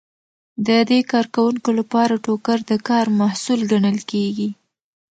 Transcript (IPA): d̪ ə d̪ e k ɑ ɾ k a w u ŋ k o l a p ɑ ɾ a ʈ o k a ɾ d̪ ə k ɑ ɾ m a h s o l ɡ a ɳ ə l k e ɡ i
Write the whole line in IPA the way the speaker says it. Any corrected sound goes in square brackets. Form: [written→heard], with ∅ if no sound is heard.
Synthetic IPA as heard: d̪ ə d̪ e k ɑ ɾ k a w u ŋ k o l a p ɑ ɾ a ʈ o k a ɾ d̪ ə k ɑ ɾ m a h s [o→u] l ɡ a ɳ ə l k e ɡ i

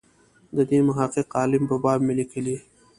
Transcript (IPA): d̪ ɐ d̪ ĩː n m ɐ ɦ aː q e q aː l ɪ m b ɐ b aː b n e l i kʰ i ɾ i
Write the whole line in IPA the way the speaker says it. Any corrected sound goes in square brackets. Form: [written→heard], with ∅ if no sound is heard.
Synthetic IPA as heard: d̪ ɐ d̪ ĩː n m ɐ ɦ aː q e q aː l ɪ m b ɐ b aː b [n→m] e l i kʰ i [ɾ→l] i

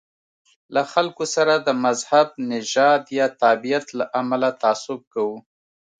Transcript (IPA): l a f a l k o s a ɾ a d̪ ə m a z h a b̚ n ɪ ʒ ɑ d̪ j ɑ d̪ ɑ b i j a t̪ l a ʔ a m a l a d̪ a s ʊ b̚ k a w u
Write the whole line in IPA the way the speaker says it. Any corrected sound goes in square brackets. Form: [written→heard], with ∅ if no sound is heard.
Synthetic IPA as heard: l a [f→x] a l k o s a ɾ a d̪ ə m a z h a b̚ n ɪ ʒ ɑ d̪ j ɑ [d̪→t̪] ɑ b i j a t̪ l a ʔ a m a l a [d̪→t̪] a s ʊ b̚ k a w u

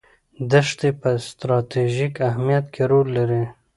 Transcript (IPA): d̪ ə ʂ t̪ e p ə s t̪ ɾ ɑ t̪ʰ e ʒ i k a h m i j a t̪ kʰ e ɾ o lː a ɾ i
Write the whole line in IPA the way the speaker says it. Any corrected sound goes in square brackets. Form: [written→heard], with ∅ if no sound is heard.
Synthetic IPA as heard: d̪ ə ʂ t̪ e p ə s t̪ ɾ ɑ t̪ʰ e ʒ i k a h m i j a t̪ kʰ e ɾ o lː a ɾ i

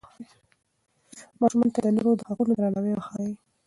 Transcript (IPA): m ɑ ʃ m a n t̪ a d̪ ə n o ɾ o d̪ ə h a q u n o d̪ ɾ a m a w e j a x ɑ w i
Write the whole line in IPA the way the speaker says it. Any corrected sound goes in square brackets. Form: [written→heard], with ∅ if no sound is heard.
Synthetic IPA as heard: m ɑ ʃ m a n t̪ a d̪ ə n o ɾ o d̪ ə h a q u n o d̪ ɾ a [m→n] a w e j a x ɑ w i

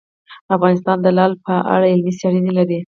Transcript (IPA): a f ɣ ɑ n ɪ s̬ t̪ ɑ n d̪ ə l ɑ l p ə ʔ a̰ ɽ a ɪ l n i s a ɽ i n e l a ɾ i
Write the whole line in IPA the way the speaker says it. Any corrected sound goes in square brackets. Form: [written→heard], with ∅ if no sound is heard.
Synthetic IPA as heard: a f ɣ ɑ n ɪ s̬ t̪ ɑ n d̪ ə l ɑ l p ə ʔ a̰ ɽ a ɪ l [n→m] i s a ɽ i n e l a ɾ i

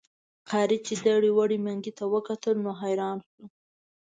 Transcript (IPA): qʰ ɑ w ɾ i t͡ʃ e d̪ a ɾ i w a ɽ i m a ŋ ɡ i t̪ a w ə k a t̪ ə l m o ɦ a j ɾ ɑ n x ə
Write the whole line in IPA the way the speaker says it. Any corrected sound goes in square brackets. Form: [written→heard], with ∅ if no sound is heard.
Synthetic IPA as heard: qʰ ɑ [w→∅] ɾ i t͡ʃ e d̪ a [ɾ→ɽ] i w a ɽ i m a ŋ ɡ i t̪ a w ə k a t̪ ə l [m→n] o ɦ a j ɾ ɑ n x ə

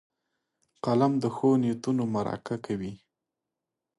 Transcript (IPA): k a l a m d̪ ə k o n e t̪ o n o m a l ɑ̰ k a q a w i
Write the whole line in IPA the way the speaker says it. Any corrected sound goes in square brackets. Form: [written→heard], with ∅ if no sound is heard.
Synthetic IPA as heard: [k→q] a l a m d̪ ə [k→x] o n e t̪ [o→u] n o m a [l→ɾ] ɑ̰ k a [q→k] a w i

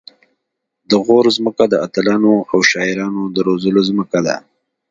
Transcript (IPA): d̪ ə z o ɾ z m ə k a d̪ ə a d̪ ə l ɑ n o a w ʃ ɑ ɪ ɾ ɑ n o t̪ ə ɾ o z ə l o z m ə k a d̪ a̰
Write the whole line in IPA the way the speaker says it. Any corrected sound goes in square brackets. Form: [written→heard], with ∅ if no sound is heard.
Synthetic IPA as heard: d̪ ə [z→ɣ] o ɾ z m ə k a d̪ ə a [d̪→t̪] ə l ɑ n o a w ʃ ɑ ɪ ɾ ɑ n o [t̪→d̪] ə ɾ o z ə l o z m ə k a d̪ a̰

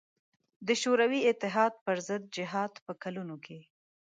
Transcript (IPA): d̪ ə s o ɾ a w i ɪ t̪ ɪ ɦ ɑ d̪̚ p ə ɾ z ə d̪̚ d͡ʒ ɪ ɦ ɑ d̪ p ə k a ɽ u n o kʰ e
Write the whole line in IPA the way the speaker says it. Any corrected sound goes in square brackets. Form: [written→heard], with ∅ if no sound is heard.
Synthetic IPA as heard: d̪ ə [s→ʃ] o ɾ a w i ɪ t̪ ɪ ɦ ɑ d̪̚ p ə ɾ z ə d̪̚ d͡ʒ ɪ ɦ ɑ d̪ p ə k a [ɽ→l] u n o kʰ e

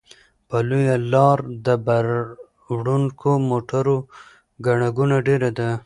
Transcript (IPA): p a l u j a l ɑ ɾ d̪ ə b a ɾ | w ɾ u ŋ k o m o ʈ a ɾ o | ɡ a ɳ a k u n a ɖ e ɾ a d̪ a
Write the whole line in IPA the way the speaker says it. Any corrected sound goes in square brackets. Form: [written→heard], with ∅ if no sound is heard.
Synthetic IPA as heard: p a l u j a l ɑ ɾ d̪ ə b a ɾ | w [ɾ→ɽ] u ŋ k o m o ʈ a ɾ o | ɡ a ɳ a [k→ɡ] u n a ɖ e ɾ a d̪ a

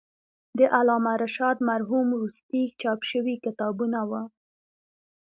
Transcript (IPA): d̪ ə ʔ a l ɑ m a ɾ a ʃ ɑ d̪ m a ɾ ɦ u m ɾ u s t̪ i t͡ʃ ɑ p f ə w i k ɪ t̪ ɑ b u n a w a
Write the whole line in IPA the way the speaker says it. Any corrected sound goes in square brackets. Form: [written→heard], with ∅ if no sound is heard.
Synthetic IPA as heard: d̪ ə ʔ a l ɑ m a ɾ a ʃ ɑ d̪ m a ɾ ɦ u m ɾ u s t̪ i t͡ʃ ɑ p [f→ʃ] ə w i k ɪ t̪ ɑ b u n a w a

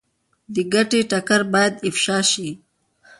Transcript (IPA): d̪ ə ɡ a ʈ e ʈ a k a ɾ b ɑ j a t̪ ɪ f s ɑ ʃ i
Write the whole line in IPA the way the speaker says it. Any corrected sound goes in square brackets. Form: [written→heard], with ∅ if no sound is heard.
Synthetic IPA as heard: d̪ ə ɡ a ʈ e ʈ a k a ɾ b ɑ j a [t̪→d̪] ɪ f [s→ʃ] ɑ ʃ i

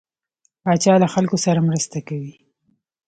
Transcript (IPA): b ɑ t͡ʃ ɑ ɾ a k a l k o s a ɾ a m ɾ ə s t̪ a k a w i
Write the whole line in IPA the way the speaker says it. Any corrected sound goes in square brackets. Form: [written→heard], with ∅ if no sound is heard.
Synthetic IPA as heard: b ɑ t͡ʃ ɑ [ɾ→l] a [k→x] a l k o s a ɾ a m ɾ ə s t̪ a k a w i

